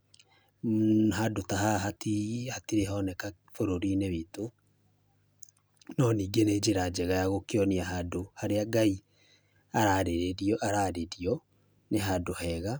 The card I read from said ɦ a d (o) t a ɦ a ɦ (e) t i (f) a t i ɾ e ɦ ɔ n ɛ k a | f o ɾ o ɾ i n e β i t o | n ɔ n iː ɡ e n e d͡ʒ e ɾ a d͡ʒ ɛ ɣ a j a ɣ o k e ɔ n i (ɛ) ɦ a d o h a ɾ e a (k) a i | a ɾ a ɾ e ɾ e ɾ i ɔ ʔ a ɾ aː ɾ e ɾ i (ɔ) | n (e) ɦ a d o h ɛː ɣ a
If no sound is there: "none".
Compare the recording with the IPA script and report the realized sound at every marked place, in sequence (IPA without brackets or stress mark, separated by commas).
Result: o, a, h, a, ɡ, ɔ, e